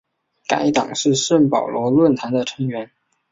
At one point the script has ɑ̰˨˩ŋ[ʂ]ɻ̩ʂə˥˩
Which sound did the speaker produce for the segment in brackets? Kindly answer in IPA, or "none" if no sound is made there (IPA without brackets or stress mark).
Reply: ʂ